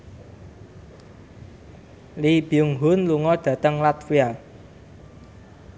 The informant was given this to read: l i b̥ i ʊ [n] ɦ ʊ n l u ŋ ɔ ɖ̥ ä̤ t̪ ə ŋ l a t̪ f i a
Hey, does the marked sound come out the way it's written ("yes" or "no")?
no